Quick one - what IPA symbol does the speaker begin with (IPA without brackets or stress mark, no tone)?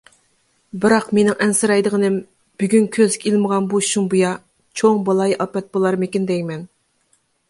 b